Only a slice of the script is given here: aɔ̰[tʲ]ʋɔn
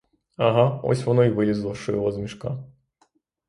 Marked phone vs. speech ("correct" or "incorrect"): incorrect